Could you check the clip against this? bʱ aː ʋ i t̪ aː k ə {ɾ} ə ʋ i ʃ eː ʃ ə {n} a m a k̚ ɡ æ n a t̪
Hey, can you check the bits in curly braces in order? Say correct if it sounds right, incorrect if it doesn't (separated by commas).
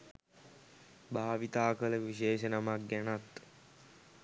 incorrect, correct